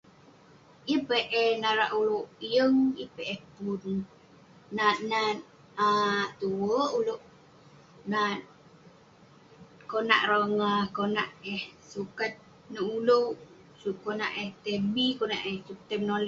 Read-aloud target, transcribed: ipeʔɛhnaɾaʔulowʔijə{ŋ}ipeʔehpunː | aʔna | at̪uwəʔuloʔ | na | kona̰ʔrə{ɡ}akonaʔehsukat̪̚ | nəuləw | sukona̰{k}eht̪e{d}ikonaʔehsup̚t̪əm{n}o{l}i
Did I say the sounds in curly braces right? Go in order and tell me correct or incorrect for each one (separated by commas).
correct, incorrect, incorrect, incorrect, correct, correct